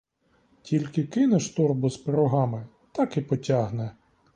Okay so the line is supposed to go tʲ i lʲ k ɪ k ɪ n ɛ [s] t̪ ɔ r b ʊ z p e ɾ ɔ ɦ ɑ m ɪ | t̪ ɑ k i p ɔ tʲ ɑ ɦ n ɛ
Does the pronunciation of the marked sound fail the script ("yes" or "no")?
yes